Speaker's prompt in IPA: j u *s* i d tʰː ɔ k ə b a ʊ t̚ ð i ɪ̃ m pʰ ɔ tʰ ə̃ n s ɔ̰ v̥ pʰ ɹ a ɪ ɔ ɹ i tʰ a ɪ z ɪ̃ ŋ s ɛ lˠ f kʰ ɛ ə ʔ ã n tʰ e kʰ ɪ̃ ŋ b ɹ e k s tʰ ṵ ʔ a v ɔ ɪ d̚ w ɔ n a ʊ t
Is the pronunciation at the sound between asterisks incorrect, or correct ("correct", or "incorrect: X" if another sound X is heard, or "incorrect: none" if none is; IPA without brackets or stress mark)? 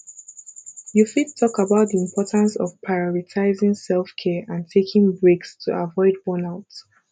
incorrect: f